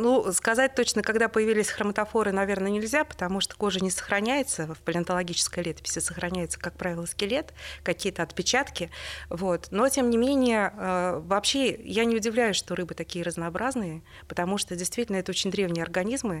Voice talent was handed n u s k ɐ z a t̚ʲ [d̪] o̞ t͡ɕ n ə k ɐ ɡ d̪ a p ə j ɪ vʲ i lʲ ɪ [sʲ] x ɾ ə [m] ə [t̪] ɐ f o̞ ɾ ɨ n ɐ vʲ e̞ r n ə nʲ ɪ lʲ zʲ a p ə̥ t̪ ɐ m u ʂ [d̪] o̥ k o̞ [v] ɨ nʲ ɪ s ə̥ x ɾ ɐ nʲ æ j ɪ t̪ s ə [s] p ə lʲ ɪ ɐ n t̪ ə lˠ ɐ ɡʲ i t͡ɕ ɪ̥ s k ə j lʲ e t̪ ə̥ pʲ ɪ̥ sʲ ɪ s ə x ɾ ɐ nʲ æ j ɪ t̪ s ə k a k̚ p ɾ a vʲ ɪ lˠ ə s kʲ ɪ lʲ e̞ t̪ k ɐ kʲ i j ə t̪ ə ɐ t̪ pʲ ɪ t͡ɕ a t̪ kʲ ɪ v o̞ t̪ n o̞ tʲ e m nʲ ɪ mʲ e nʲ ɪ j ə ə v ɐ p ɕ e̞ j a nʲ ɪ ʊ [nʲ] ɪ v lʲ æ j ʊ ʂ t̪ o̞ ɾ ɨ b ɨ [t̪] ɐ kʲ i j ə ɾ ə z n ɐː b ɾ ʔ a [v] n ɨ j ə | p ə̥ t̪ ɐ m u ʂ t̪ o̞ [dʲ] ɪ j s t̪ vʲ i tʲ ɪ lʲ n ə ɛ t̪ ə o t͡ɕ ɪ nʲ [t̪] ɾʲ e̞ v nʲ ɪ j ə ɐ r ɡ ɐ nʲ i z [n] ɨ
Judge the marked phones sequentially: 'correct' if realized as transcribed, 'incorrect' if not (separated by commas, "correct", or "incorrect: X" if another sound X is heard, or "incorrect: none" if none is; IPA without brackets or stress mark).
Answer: incorrect: t̪, correct, correct, correct, incorrect: t̪, incorrect: ʐ, incorrect: f, incorrect: dʲ, correct, incorrect: z, correct, incorrect: d̪, incorrect: m